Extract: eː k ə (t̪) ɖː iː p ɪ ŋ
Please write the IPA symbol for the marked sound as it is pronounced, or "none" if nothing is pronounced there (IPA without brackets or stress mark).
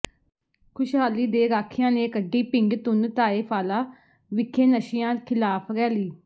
none